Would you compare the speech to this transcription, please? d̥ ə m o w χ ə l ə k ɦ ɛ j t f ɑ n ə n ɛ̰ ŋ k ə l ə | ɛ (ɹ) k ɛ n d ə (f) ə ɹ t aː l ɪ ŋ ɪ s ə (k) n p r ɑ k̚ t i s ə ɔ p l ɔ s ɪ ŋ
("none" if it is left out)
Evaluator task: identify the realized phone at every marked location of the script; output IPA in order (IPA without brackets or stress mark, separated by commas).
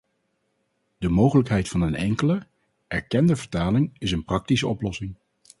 ɹ, v, none